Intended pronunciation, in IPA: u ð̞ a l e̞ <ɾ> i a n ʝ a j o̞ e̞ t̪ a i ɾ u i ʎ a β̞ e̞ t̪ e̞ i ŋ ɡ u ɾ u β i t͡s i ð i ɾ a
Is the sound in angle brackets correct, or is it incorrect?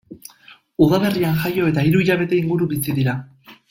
incorrect